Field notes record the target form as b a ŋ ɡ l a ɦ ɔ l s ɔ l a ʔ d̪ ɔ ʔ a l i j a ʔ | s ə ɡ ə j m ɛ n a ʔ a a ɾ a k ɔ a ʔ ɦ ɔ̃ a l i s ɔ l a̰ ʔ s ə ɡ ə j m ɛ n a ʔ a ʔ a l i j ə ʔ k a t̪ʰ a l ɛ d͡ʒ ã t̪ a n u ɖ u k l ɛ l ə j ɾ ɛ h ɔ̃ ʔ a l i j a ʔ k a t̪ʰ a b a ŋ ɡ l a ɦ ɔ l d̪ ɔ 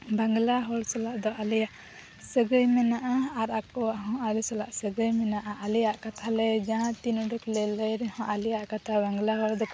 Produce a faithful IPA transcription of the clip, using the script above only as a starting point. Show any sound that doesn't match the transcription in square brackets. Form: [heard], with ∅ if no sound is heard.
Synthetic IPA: b a ŋ ɡ l a ɦ ɔ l s ɔ l a ʔ d̪ ɔ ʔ a l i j a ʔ | s ə ɡ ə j m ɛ n a ʔ a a ɾ a k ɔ a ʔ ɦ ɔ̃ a l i s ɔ l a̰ ʔ s ə ɡ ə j m ɛ n a ʔ a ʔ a l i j [a] ʔ k a t̪ʰ a l ɛ d͡ʒ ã t̪ [i] n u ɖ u k l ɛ l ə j ɾ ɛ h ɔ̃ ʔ a l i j a ʔ k a t̪ʰ a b a ŋ ɡ l a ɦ ɔ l d̪ ɔ